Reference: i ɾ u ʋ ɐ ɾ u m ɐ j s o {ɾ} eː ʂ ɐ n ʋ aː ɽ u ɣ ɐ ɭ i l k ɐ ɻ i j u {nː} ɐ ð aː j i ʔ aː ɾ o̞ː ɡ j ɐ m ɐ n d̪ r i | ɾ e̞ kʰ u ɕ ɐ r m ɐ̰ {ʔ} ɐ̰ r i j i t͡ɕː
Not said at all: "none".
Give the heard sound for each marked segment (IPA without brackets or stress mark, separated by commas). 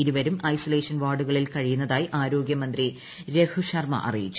l, nː, ʔ